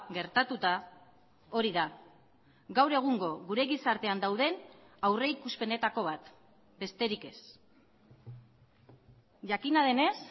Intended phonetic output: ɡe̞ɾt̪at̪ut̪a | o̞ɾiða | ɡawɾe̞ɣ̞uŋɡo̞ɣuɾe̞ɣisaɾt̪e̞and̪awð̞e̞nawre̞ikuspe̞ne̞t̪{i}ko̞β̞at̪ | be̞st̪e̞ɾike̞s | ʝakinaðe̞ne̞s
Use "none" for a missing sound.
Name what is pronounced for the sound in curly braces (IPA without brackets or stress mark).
a